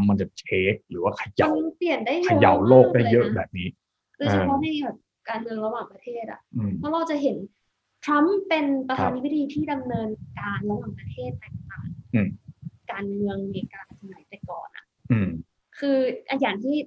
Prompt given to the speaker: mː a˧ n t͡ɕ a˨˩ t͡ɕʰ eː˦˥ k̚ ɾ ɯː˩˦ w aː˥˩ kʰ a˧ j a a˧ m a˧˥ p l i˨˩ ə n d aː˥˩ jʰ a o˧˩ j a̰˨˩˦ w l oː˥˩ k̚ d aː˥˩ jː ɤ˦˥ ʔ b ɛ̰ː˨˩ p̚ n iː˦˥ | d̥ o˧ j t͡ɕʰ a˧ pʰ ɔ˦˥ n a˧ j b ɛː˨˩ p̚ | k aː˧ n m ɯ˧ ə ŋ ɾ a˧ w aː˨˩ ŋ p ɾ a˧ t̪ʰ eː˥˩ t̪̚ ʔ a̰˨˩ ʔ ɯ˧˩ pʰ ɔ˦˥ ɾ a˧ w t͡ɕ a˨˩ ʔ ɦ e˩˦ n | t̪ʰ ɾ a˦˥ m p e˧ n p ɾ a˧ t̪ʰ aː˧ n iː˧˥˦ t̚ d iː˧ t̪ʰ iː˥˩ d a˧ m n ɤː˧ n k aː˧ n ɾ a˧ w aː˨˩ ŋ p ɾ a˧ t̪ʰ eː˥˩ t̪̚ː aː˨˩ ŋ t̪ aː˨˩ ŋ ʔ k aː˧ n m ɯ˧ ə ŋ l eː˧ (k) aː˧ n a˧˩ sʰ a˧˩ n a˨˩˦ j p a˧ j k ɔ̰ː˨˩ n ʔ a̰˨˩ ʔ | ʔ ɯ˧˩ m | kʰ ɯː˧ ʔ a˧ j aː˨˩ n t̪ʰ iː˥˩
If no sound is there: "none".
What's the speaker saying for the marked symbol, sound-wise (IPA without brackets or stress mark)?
k